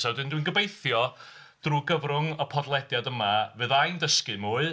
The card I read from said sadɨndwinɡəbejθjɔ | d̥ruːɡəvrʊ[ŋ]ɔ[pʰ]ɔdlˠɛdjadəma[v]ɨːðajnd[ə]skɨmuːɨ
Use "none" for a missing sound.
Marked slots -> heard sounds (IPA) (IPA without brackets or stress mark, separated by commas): ŋ, pʰ, v, ə